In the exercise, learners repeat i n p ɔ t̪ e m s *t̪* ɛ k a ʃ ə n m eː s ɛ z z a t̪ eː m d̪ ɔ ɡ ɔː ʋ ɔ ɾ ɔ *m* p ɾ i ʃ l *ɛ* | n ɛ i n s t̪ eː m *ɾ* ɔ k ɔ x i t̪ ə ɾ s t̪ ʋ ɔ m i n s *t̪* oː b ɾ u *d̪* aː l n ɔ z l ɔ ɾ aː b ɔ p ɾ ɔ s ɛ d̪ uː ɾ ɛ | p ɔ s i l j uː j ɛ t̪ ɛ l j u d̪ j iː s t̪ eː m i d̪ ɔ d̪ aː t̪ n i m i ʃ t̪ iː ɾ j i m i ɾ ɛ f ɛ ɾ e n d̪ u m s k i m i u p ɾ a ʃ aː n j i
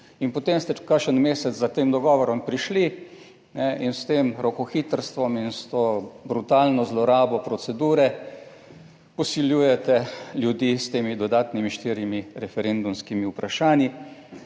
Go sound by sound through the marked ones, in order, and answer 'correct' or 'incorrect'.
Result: correct, correct, incorrect: i, correct, correct, incorrect: t̪

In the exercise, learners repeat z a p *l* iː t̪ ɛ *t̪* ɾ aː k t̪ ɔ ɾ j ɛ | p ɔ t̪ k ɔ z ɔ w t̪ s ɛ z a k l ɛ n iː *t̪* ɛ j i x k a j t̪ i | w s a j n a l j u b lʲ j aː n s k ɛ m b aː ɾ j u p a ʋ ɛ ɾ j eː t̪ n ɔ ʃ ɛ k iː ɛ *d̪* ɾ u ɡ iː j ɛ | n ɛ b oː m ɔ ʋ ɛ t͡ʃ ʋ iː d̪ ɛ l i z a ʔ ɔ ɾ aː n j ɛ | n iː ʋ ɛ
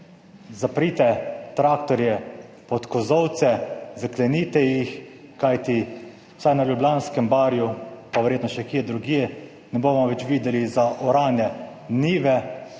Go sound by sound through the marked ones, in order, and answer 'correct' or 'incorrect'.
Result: incorrect: ɾ, correct, correct, correct

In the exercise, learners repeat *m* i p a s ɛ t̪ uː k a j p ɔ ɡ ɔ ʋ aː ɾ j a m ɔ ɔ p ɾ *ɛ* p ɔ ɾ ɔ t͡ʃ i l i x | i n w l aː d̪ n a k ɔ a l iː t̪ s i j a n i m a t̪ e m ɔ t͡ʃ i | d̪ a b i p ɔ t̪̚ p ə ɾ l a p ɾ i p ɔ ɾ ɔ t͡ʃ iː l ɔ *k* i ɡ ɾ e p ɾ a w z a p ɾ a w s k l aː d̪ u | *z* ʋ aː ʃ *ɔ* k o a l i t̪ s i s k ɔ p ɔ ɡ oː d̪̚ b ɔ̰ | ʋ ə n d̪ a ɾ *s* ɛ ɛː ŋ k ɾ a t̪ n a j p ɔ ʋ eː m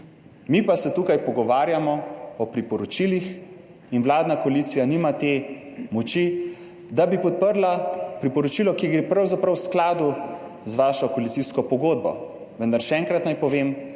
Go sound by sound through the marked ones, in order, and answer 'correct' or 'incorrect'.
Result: correct, incorrect: i, correct, correct, correct, incorrect: ʃ

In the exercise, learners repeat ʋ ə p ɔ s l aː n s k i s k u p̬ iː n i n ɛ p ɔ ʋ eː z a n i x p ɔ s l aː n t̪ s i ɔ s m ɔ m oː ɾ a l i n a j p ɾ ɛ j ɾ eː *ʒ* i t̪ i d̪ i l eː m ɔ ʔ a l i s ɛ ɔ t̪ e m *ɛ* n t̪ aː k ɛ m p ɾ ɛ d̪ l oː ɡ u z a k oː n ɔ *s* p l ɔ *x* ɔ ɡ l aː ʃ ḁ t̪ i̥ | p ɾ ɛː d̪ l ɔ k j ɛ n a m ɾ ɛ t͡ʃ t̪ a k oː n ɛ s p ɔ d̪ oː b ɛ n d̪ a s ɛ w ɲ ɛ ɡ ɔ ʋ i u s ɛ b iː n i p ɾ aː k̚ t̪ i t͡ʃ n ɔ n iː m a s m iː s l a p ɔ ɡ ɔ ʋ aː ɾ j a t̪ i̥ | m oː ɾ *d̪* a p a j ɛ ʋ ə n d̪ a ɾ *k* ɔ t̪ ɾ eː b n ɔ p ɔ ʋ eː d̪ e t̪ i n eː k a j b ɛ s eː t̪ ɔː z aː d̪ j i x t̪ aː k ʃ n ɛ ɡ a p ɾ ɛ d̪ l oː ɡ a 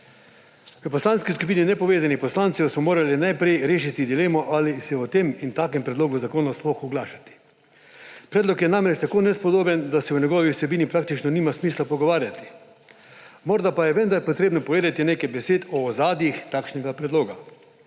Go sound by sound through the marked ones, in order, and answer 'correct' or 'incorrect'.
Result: incorrect: ʃ, incorrect: i, correct, correct, correct, incorrect: p

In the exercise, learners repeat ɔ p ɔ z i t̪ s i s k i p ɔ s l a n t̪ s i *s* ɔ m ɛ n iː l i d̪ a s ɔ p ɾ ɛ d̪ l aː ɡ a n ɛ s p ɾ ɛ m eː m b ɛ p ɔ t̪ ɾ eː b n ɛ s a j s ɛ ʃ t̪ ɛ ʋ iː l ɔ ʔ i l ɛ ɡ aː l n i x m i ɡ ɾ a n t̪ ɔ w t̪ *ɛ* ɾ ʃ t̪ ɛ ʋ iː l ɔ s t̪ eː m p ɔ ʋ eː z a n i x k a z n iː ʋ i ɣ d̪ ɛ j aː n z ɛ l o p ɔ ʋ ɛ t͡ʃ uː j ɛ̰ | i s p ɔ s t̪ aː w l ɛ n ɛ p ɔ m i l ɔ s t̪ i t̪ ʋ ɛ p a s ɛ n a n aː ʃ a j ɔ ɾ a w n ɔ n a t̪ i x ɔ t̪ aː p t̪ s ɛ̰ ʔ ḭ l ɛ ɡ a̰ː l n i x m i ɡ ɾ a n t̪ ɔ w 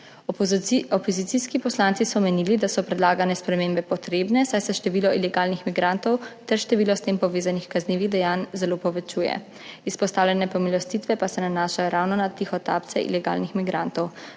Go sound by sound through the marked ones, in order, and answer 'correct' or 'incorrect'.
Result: correct, correct

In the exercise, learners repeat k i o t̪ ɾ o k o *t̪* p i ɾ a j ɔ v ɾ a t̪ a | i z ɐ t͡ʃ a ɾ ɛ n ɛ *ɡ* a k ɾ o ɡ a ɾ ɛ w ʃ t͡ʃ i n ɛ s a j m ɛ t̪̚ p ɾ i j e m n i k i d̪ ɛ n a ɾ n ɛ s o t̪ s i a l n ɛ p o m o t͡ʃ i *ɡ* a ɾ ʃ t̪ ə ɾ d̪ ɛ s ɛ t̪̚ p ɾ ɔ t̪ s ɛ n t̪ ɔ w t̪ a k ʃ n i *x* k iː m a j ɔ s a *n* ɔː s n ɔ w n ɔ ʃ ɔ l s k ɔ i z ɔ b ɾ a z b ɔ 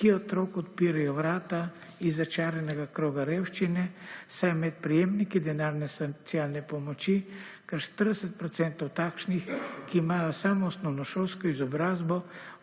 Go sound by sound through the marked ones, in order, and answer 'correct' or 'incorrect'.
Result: correct, correct, incorrect: k, correct, incorrect: m

